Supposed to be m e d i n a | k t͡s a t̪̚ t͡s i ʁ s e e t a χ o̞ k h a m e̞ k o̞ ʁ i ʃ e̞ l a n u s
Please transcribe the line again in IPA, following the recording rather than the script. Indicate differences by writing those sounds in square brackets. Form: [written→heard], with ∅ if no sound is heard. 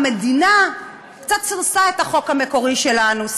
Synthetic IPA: m e d i n a | k t͡s a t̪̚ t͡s i ʁ s [e→a] e t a χ o̞ k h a m e̞ k o̞ ʁ i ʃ e̞ l a n u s